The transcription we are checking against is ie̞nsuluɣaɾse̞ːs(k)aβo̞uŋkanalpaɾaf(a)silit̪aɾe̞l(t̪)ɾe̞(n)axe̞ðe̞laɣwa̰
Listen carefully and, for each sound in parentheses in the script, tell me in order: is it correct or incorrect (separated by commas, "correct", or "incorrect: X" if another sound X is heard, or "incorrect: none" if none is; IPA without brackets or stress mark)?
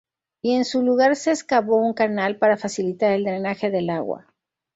correct, correct, incorrect: d̪, correct